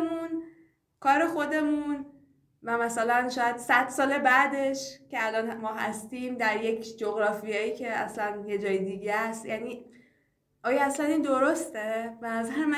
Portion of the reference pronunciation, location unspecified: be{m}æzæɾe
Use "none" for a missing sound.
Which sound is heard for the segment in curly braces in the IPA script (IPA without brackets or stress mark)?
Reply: n